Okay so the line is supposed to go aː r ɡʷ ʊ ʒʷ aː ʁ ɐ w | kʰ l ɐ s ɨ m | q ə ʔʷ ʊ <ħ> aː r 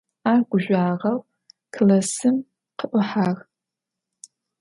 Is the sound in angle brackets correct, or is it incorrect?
correct